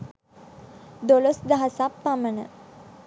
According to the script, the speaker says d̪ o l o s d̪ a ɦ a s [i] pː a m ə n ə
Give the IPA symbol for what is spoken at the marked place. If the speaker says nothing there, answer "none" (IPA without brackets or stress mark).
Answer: a